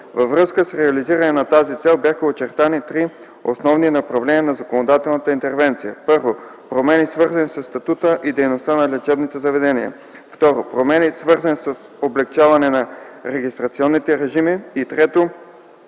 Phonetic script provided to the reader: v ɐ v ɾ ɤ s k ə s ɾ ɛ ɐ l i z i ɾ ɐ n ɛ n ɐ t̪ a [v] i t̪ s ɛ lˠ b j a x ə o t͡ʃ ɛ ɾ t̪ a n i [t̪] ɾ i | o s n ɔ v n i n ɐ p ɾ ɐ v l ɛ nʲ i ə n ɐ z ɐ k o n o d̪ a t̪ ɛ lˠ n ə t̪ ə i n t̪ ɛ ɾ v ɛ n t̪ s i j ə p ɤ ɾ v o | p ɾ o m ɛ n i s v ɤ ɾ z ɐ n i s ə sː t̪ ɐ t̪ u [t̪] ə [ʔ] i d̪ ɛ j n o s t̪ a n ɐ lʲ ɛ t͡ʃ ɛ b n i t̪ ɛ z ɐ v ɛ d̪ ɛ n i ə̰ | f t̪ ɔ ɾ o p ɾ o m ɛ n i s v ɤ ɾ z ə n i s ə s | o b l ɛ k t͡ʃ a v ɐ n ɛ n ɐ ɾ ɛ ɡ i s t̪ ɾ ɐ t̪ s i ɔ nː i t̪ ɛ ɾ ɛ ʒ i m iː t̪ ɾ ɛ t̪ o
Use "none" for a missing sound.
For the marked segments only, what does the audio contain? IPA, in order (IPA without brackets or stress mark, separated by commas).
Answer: z, t̪, t̪, ʔ